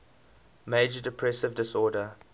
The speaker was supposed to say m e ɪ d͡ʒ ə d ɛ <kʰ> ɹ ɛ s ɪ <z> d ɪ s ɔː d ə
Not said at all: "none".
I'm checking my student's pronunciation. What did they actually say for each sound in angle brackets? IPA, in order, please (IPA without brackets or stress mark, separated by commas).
pʰ, v